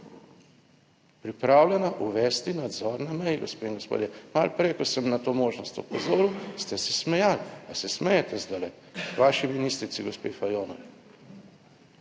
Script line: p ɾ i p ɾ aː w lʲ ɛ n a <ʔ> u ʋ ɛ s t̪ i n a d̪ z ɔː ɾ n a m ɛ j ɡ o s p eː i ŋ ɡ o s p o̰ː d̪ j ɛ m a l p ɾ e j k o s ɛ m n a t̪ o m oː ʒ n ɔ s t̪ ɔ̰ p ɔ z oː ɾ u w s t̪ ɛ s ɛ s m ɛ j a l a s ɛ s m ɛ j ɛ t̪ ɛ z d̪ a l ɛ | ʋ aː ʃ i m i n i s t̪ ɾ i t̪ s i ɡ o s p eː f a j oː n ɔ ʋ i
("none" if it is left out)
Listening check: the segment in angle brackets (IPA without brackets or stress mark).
ʔ